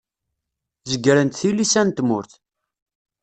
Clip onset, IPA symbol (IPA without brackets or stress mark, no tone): z